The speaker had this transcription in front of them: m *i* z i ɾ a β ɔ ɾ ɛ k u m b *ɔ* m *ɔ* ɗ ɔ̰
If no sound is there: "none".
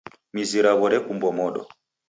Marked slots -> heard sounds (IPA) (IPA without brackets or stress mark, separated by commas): i, ɔ, ɔ